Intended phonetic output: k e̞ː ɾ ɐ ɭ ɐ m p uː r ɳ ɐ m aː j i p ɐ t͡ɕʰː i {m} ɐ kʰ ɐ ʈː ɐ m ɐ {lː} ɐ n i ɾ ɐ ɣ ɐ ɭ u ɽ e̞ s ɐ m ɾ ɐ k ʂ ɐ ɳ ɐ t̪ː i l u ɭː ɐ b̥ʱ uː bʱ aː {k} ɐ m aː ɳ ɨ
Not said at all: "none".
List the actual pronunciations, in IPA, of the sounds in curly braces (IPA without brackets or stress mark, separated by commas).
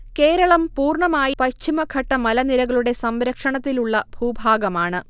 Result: m, l, ɡ